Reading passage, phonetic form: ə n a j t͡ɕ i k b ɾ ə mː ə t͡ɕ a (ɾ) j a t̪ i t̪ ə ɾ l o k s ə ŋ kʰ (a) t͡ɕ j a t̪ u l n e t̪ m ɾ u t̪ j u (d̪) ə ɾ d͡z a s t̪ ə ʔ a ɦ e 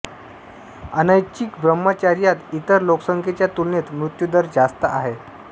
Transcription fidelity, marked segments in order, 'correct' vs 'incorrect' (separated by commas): correct, incorrect, correct